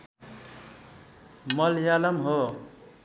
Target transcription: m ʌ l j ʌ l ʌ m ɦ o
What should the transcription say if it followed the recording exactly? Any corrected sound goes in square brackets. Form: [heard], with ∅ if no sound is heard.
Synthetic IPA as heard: m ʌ l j [a] l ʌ m ɦ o